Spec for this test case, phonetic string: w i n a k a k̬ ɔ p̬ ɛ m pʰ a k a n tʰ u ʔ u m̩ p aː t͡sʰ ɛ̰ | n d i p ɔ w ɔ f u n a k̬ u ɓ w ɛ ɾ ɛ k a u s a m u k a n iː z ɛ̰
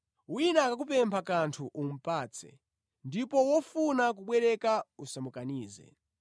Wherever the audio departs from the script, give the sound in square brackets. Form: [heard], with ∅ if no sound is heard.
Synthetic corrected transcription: w i n a k a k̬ [u] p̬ ɛ m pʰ a k a n tʰ u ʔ u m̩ p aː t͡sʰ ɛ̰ | n d i p ɔ w ɔ f u n a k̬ u ɓ w ɛ ɾ ɛ k a u s a m u k a n iː z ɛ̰